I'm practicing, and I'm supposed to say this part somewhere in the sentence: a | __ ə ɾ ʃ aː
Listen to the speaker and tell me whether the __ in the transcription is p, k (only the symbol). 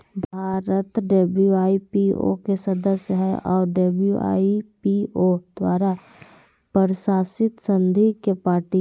p